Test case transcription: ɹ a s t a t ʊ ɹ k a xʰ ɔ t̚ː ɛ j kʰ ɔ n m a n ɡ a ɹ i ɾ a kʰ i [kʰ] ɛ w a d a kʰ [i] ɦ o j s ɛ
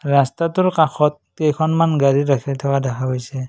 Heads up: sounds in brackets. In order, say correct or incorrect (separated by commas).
incorrect, incorrect